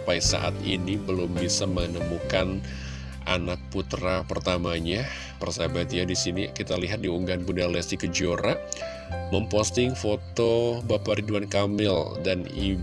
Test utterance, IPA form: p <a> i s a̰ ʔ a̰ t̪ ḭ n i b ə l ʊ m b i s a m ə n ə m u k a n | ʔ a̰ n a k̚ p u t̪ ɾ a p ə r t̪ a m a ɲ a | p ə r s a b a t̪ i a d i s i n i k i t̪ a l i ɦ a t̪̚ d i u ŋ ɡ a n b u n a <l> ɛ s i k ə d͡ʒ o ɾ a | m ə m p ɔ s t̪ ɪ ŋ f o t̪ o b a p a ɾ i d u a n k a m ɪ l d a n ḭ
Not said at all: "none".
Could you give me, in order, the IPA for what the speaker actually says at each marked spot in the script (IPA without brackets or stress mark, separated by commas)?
a, l